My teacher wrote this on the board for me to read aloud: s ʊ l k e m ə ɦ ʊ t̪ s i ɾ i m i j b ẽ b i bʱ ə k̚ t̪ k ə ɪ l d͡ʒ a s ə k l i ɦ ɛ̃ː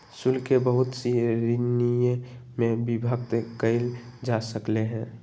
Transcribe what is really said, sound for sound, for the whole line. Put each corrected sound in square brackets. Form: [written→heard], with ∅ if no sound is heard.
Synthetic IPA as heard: s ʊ l k e [m→b] ə ɦ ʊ t̪ s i ɾ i [m→n] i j [b→m] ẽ b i bʱ ə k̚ t̪ k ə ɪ l d͡ʒ a s ə k l [i→e] ɦ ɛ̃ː